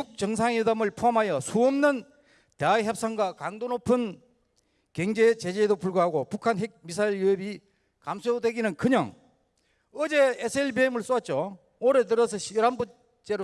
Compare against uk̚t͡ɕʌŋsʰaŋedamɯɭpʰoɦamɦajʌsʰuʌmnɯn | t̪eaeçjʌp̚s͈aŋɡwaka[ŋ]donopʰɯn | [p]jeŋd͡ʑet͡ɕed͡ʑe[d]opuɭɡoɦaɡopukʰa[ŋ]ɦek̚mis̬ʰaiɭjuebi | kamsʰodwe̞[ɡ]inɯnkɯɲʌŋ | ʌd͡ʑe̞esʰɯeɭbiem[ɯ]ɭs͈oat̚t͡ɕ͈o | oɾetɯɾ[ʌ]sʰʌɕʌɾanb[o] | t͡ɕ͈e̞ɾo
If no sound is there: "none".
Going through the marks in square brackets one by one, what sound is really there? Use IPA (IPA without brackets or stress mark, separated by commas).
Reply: ŋ, k, d, n, ɡ, ɯ, ʌ, u